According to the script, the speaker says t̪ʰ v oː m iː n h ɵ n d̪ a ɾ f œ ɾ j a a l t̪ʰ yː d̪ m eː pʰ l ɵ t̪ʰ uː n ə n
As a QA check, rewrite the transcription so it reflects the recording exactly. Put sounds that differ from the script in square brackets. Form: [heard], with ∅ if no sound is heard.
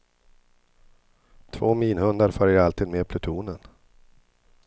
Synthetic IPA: t̪ʰ v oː m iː n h ɵ n d̪ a ɾ f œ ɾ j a a l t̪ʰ [iː] d̪ m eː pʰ l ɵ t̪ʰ uː n ə n

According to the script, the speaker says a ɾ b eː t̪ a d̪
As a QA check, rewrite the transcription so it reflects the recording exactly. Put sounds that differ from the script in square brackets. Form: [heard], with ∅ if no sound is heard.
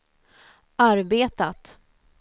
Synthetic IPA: a ɾ b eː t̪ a [t̪]

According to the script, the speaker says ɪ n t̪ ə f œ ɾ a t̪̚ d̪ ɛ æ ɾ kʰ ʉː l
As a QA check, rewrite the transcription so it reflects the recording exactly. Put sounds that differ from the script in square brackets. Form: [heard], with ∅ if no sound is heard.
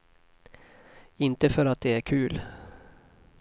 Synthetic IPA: ɪ n t̪ ə f œ ɾ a t̪̚ d̪ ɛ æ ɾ kʰ ʉː l

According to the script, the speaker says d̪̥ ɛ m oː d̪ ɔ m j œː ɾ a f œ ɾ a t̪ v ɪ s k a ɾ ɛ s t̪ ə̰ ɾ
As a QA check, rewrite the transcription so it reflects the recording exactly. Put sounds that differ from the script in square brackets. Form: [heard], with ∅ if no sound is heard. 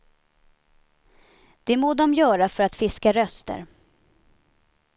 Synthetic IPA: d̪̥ ɛ m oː d̪ ɔ m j œː ɾ a f œ ɾ a t̪ [f] ɪ s k a ɾ [œ] s t̪ ə̰ ɾ

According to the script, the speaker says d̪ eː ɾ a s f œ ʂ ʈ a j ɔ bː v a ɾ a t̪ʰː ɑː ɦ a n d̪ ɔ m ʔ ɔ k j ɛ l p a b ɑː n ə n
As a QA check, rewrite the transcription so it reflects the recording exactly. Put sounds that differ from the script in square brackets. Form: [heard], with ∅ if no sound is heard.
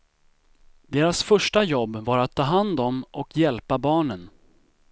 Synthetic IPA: d̪ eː ɾ a s f œ ʂ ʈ a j ɔ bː v a ɾ a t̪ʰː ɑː ɦ a n d̪ ɔ m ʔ ɔ k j ɛ l p a b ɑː [ɳ] ə n

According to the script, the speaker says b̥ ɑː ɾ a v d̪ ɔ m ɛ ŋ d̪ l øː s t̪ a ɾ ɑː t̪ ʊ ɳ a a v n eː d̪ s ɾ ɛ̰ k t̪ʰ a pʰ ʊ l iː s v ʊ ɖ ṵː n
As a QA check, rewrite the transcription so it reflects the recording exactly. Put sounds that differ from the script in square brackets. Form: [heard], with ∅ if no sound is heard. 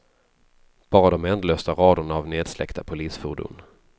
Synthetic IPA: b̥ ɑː ɾ a [∅] d̪ ɔ m ɛ [n] d̪ l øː s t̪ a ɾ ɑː [d̪] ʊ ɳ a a v n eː d̪ s [l] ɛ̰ k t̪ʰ a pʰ ʊ l iː s [f] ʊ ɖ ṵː n

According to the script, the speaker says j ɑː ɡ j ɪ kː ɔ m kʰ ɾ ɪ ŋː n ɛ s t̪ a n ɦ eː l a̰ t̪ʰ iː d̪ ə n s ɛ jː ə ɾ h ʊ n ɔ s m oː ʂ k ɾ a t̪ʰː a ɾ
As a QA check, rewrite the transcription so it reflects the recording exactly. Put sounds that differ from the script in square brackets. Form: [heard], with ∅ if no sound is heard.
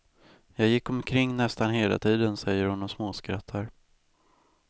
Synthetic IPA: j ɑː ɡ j ɪ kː ɔ m kʰ ɾ ɪ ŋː n ɛ s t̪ a n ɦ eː l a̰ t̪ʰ iː d̪ ə n s ɛ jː ə ɾ h ʊ n ɔ s m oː [s] k ɾ a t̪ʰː a ɾ

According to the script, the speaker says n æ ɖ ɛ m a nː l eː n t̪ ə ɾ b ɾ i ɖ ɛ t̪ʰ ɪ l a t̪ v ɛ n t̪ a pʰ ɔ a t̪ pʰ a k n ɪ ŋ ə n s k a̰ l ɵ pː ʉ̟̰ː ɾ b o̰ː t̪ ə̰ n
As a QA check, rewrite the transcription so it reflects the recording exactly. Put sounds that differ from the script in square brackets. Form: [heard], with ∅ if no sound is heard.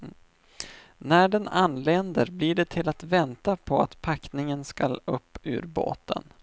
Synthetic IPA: n æ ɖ ɛ [n] a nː l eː n [d̪] ə ɾ b [l] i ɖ ɛ t̪ʰ ɪ l a t̪ v ɛ n t̪ a pʰ ɔ a t̪ pʰ a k n ɪ ŋ ə n s k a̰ l ɵ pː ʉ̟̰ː ɾ b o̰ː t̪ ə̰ n

